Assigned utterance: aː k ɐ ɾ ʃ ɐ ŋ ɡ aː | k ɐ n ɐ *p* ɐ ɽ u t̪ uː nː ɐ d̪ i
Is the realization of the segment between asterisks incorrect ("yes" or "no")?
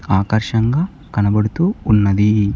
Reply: yes